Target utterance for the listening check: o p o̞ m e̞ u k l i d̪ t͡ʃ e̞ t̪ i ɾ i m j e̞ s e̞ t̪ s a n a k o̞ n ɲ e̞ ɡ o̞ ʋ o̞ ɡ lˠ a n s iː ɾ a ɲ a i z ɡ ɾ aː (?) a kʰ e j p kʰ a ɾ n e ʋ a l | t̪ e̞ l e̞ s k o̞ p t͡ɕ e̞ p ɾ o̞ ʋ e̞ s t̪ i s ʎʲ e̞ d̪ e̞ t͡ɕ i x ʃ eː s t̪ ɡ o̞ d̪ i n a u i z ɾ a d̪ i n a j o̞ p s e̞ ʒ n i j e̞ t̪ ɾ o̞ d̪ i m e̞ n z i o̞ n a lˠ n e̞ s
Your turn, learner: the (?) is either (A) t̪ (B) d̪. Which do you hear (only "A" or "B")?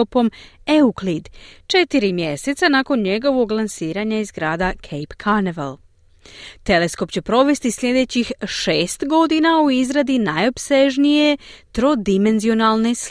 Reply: B